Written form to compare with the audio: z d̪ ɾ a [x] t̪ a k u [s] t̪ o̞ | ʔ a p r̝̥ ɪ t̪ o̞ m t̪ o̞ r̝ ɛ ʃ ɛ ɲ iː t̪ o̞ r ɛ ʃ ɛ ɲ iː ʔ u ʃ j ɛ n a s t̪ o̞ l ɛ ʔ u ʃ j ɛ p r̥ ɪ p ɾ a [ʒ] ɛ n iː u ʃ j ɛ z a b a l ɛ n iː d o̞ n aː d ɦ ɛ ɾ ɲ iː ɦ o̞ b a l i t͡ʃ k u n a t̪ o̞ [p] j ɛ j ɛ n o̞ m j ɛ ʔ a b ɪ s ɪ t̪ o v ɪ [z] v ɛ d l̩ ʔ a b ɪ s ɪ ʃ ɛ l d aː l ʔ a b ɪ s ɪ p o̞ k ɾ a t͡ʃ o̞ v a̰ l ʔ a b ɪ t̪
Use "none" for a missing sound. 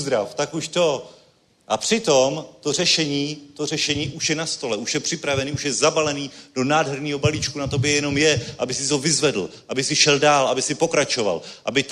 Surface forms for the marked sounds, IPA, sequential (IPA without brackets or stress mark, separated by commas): f, ʃ, v, b, z